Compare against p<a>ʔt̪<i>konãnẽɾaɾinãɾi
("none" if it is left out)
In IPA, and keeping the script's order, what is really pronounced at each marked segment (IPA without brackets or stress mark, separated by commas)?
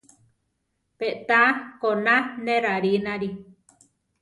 e, a